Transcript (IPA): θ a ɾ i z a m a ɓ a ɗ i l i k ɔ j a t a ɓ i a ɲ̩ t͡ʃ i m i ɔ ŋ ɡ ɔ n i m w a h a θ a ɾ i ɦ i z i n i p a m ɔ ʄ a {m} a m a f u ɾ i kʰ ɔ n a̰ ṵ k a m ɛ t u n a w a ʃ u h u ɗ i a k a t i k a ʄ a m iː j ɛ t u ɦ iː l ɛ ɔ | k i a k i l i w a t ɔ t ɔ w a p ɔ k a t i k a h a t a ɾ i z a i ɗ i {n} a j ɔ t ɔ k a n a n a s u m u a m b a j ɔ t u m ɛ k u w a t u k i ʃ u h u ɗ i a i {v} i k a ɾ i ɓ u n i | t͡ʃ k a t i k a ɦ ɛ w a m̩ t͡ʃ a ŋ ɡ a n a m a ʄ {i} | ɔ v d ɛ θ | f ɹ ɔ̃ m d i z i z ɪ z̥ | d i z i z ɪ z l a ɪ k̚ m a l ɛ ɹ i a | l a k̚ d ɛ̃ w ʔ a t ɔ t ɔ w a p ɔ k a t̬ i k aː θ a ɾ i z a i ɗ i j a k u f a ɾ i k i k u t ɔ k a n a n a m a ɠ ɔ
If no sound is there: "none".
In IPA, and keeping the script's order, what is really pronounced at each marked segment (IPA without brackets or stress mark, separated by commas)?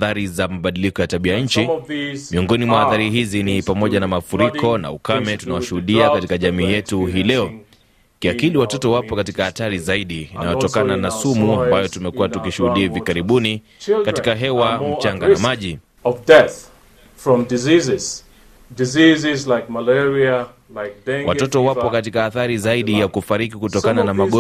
n, n, v, i